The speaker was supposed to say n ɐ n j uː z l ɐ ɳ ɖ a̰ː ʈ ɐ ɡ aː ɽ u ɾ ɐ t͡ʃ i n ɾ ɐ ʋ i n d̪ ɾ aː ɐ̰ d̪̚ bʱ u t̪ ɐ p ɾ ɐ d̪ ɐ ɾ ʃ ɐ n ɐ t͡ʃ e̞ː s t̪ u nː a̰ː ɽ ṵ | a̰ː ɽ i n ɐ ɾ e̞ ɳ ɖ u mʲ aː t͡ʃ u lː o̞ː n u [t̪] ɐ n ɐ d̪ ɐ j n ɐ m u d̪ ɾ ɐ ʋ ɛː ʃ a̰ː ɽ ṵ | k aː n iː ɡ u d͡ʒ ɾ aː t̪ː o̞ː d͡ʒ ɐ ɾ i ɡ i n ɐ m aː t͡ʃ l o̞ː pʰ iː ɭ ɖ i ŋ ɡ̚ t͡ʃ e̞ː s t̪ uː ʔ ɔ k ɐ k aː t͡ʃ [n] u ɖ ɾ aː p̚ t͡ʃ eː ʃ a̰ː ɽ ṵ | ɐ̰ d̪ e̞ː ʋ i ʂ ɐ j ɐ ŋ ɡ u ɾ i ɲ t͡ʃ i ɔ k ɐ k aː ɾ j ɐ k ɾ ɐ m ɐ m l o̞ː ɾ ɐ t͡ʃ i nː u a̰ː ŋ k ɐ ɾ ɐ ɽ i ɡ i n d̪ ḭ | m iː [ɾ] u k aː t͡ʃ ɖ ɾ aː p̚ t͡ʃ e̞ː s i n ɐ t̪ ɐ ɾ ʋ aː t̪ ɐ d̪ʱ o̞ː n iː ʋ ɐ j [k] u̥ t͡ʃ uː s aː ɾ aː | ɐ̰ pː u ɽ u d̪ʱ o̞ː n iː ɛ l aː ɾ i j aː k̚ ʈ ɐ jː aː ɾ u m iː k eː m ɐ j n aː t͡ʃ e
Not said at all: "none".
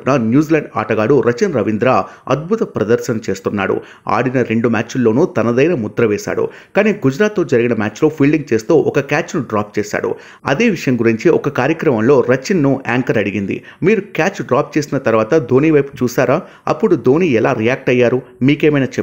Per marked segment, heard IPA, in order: t̪, n, ɾ, p

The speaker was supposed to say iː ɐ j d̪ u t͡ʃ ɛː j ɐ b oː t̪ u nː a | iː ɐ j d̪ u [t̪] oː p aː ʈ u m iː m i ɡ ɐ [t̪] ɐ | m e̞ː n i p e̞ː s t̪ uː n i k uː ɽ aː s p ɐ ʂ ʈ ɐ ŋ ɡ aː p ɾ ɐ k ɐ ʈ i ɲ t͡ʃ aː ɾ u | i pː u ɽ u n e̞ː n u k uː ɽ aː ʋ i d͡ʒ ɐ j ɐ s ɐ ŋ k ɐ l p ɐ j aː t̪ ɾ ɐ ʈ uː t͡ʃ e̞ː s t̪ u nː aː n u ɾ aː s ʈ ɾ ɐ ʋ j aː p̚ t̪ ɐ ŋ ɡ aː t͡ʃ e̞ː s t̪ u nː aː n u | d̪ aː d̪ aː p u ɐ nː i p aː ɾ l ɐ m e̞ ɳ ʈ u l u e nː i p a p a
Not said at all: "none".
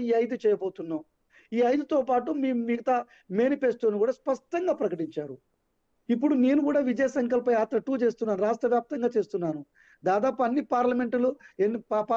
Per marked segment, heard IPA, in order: t̪, t̪

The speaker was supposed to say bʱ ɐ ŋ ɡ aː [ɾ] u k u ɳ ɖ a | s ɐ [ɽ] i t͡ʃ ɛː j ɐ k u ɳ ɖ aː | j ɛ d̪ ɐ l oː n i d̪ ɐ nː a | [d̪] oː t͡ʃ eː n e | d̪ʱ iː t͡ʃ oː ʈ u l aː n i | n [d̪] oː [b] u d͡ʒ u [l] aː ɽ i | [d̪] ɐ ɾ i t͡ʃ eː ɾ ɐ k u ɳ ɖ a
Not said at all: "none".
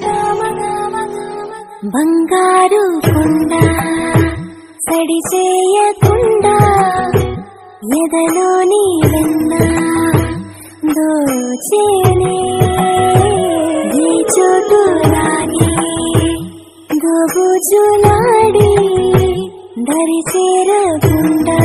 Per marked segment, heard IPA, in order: ɾ, ɽ, d̪, d̪, b, l, d̪

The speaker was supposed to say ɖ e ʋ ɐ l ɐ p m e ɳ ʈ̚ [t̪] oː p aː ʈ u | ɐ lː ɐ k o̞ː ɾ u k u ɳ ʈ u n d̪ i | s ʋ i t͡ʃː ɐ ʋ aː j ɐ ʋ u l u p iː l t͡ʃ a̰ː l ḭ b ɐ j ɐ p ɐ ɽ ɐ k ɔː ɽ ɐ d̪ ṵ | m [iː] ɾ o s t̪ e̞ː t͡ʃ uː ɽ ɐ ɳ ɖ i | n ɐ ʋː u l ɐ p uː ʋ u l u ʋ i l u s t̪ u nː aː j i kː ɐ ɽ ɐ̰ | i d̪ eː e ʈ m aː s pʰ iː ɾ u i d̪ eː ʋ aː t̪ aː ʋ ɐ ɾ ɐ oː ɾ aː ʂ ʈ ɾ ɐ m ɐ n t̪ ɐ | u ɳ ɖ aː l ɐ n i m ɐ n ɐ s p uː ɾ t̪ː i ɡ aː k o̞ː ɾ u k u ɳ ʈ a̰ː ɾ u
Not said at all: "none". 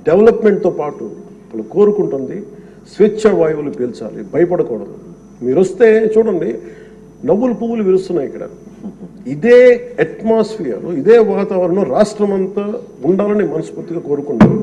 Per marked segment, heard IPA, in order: t̪, iː

